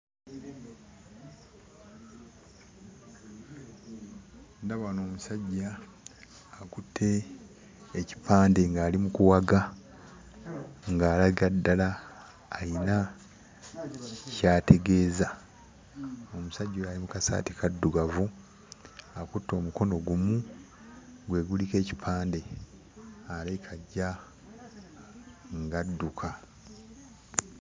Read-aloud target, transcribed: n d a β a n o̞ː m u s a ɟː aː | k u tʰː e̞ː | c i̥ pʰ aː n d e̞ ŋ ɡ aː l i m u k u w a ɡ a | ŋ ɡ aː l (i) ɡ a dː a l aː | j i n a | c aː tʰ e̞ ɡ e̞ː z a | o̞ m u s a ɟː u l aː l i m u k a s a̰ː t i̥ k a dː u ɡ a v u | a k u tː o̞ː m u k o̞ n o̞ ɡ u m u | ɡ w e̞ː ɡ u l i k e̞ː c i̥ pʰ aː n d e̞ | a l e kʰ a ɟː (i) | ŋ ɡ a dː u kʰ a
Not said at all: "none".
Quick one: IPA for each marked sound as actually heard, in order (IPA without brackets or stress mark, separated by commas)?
a, a